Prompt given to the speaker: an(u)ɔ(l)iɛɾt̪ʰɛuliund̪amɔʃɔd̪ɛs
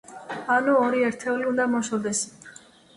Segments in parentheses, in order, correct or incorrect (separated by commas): correct, incorrect